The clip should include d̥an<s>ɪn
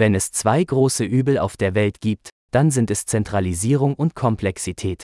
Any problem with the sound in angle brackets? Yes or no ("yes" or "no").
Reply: yes